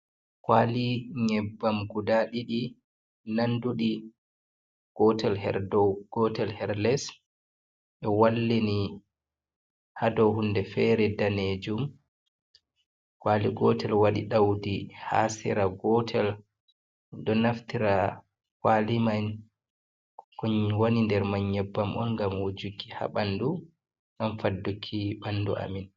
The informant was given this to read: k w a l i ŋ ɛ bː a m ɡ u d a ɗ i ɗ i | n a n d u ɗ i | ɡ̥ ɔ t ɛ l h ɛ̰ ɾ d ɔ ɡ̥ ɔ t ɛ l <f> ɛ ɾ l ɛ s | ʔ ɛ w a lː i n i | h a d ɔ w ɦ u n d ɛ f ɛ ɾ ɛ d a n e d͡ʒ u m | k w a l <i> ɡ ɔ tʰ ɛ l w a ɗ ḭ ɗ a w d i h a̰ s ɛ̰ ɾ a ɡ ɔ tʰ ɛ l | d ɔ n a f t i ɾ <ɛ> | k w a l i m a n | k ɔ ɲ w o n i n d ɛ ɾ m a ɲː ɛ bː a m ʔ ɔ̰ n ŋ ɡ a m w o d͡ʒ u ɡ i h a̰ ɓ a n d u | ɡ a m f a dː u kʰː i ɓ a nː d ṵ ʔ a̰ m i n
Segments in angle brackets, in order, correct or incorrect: incorrect: h, correct, incorrect: a

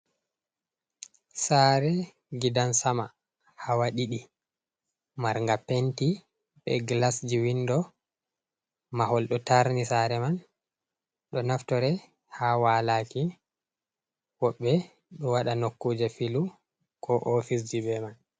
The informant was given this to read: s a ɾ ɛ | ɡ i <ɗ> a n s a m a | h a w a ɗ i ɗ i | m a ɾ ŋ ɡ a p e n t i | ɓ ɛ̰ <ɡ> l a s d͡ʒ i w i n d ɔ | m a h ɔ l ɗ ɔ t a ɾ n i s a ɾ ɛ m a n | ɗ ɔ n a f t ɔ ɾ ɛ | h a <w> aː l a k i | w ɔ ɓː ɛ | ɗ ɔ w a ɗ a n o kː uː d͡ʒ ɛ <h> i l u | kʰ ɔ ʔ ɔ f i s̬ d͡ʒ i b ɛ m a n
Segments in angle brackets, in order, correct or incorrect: incorrect: d, correct, correct, incorrect: f

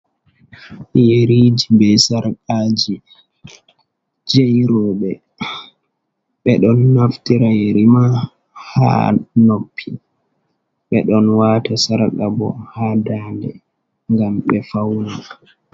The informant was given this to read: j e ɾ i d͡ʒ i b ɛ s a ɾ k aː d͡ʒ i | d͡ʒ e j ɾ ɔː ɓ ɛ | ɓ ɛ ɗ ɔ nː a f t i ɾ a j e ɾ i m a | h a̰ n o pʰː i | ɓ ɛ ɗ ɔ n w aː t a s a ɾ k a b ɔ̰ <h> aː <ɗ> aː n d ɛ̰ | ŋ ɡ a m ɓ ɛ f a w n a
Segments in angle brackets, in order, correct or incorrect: correct, incorrect: d

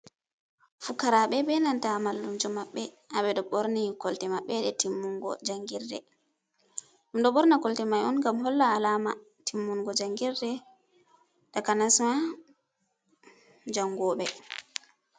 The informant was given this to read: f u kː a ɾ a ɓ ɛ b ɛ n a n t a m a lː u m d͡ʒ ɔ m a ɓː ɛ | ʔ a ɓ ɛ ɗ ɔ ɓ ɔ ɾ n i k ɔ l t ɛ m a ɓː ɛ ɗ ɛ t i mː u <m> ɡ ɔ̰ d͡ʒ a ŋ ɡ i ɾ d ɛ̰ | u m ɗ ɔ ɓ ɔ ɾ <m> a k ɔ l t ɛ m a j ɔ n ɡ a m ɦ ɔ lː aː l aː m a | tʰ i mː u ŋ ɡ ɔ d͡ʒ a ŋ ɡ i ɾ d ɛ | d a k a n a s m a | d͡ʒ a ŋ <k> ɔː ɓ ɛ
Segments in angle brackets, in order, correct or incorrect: incorrect: ŋ, incorrect: n, incorrect: ɡ

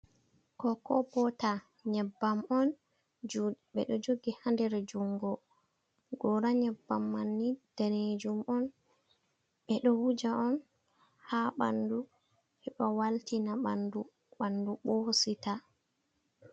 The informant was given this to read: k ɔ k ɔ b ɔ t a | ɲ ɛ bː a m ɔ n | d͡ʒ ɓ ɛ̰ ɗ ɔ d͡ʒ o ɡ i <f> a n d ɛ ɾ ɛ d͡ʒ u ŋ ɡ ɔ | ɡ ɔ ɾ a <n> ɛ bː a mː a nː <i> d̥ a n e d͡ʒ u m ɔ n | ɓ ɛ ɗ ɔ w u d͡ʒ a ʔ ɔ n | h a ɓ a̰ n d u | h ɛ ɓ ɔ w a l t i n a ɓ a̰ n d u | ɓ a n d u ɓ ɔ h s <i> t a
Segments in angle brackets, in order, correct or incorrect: incorrect: h, incorrect: ɲ, correct, correct

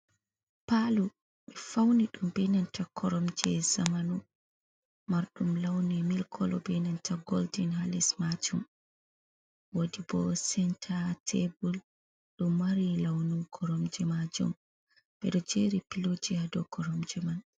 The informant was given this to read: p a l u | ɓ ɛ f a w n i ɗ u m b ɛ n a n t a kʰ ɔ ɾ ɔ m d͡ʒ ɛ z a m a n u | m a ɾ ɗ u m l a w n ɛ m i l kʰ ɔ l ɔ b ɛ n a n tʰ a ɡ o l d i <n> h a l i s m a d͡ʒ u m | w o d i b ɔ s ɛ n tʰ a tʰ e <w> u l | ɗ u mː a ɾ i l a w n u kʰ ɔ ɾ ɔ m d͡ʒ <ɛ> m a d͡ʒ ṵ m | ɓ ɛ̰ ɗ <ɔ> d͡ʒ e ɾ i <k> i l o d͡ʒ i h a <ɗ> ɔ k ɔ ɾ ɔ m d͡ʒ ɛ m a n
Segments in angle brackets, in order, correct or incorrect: correct, incorrect: b, correct, correct, incorrect: p, incorrect: d

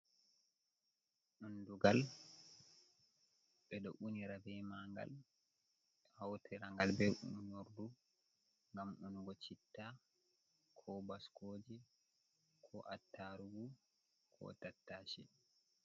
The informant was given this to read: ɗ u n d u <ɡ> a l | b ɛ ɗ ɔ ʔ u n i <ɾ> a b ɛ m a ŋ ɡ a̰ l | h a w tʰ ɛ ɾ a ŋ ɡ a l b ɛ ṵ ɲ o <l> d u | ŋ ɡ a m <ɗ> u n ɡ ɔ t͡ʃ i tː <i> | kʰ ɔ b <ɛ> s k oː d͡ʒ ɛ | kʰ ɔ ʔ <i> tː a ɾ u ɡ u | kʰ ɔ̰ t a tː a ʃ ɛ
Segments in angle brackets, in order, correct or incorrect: correct, correct, incorrect: ɾ, correct, incorrect: a, incorrect: a, incorrect: a

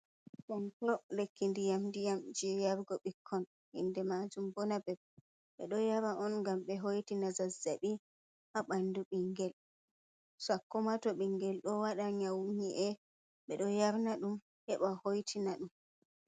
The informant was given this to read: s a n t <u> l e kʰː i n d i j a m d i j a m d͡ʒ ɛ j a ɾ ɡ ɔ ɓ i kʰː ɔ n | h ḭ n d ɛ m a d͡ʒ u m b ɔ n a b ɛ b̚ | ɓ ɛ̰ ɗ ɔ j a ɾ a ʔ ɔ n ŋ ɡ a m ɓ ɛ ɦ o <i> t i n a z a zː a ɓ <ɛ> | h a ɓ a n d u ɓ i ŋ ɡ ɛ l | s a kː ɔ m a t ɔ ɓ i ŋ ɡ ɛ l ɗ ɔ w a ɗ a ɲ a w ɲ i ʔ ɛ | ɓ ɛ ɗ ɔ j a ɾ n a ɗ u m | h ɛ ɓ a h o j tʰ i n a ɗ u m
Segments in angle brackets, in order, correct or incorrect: incorrect: ɔ, incorrect: j, incorrect: i

